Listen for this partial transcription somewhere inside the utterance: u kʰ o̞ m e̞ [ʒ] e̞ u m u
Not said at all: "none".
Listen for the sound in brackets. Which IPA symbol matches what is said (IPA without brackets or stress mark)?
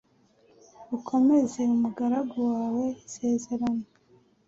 z